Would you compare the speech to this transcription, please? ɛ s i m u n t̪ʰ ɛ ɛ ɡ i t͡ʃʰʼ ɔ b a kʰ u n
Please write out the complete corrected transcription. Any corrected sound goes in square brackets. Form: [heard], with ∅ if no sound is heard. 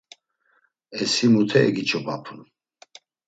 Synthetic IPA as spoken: ɛ s i m u [∅] t̪ʰ ɛ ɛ ɡ i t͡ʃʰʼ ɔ b a [pʰ] u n